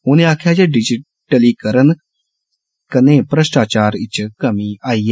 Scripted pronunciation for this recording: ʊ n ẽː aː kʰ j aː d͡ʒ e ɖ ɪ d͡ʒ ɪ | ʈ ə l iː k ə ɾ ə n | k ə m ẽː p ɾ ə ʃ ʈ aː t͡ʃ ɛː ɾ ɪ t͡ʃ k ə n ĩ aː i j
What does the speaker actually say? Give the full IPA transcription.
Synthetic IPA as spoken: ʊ n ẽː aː kʰ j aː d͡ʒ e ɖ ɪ d͡ʒ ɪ | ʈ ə l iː k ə ɾ ə n | k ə n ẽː p ɾ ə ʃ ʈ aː t͡ʃ aː ɾ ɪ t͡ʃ k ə m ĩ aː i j